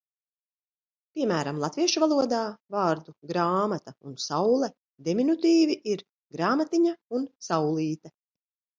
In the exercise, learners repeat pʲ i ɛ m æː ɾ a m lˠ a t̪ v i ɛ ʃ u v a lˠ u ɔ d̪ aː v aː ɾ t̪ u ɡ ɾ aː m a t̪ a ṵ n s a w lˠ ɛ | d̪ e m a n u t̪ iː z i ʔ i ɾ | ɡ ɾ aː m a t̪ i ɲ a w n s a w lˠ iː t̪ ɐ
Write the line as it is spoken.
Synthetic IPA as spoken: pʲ i ɛ m æː ɾ a m lˠ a t̪ v i ɛ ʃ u v a lˠ u ɔ d̪ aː v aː ɾ d̪ u ɡ ɾ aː m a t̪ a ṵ n s a w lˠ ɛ | d̪ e m i n u t̪ iː v i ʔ i ɾ | ɡ ɾ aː m a t̪ i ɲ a u n s a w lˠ iː t̪ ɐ